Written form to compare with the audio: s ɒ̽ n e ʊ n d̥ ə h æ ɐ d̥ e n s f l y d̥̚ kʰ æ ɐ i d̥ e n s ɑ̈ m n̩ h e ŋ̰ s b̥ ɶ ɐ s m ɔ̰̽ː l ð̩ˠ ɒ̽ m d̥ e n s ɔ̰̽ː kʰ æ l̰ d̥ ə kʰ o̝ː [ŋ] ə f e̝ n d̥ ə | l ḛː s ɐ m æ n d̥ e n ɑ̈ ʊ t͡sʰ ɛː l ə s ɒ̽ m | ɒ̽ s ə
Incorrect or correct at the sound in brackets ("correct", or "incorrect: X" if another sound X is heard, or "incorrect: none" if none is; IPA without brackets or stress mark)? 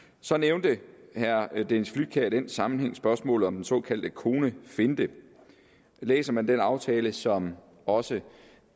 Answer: incorrect: n